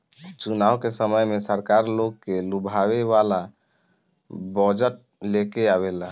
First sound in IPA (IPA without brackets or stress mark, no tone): t͡ʃ